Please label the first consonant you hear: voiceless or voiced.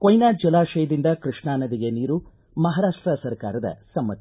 voiceless